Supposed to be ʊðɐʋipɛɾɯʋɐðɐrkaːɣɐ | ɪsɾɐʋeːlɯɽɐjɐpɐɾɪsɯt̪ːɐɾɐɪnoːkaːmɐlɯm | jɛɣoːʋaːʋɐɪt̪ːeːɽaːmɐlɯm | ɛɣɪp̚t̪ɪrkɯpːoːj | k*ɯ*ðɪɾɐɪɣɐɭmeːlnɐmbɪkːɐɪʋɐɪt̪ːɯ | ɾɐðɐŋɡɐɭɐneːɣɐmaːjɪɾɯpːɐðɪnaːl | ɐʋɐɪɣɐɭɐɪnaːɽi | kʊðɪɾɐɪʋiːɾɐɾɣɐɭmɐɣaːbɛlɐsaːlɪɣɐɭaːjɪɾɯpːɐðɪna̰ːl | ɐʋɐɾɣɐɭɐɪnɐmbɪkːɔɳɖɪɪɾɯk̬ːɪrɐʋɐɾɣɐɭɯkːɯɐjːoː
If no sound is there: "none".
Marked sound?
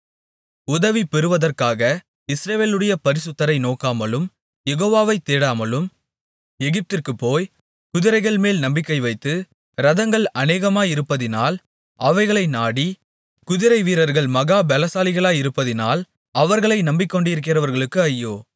ʊ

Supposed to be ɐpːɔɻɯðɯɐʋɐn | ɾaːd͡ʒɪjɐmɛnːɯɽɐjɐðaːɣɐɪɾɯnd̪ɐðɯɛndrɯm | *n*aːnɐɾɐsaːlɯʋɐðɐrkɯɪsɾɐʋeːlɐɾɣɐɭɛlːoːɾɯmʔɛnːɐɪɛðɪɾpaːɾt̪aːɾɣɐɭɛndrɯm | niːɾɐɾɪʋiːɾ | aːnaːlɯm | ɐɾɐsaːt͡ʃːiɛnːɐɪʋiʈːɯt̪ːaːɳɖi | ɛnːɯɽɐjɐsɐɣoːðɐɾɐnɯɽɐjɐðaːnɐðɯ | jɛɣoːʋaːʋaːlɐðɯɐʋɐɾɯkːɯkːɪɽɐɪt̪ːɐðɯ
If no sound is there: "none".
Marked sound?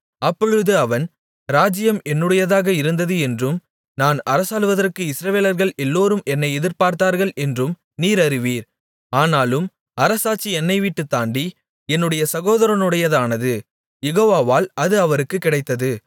n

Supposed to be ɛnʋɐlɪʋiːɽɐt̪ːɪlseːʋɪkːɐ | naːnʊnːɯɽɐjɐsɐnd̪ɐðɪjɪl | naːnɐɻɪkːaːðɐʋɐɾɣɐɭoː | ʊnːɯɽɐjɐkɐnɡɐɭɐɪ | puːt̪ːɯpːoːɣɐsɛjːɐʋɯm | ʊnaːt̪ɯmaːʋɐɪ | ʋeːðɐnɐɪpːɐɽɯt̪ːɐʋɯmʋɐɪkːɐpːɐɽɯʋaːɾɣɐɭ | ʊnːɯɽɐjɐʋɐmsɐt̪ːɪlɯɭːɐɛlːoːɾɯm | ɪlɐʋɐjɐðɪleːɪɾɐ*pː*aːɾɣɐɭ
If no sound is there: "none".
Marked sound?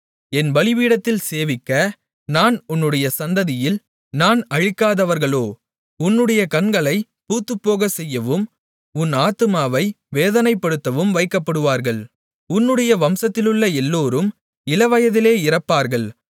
pː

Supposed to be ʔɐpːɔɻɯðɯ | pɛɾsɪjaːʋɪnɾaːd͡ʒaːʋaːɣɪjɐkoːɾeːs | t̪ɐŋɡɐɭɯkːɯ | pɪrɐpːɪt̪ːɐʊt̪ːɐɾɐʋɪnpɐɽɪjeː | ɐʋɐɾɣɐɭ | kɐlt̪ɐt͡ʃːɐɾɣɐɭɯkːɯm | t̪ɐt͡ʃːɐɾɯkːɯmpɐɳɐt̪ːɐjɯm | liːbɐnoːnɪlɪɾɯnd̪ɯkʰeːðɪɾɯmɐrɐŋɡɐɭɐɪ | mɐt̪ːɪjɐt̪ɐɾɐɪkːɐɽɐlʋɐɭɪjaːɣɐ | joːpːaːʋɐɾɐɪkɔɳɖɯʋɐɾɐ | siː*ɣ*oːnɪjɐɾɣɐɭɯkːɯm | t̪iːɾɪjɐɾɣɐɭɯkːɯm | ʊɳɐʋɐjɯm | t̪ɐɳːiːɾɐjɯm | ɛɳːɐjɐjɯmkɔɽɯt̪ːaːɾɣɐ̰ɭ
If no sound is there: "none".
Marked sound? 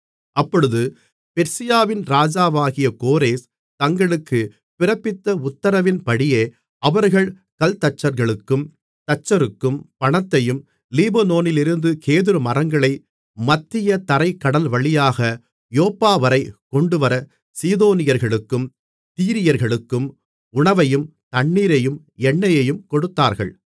ð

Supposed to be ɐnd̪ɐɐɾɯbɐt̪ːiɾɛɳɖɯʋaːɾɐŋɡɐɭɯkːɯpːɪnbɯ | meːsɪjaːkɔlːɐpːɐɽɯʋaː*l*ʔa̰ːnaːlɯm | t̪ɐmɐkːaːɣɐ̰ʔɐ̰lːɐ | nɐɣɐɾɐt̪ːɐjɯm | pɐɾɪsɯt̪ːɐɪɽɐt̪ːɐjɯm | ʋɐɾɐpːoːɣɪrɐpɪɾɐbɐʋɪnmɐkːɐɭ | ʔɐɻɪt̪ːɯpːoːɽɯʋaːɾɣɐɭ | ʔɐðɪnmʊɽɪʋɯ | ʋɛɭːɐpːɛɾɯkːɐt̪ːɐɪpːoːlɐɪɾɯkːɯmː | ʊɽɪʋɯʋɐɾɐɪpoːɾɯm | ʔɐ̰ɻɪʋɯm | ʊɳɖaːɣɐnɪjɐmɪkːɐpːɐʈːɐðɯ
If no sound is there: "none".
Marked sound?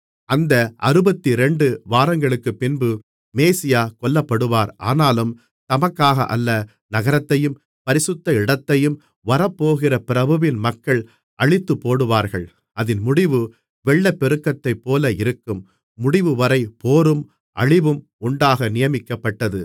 ɾ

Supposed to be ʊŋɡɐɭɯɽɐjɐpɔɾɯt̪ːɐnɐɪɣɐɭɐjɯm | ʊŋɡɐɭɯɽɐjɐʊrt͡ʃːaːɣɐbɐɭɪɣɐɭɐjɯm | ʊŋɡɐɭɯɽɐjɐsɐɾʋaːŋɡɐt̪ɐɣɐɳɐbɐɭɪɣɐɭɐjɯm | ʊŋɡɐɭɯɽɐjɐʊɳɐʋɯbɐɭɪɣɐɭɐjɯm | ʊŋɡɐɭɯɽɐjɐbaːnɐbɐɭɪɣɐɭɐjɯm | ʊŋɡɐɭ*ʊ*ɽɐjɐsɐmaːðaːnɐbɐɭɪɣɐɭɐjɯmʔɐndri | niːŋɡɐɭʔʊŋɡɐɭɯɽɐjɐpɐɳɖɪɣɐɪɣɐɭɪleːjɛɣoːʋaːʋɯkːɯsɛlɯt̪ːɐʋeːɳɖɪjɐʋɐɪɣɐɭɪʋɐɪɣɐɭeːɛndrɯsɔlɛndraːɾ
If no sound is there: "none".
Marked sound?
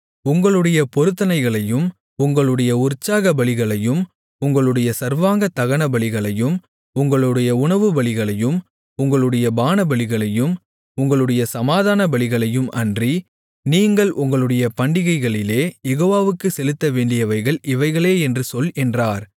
ɯ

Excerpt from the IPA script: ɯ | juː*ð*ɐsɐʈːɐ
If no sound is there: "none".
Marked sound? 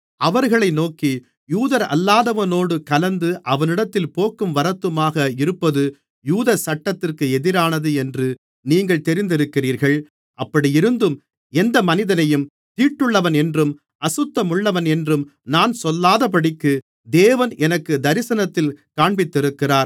ð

